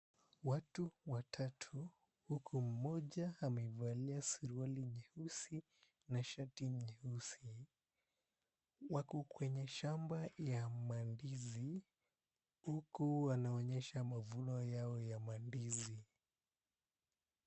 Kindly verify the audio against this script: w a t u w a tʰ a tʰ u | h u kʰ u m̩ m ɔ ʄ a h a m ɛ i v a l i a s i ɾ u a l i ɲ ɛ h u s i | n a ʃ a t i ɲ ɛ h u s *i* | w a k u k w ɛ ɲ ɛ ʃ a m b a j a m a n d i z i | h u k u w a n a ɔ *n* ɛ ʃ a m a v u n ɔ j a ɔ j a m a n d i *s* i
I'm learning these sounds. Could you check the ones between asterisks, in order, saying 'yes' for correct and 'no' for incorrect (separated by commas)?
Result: yes, no, no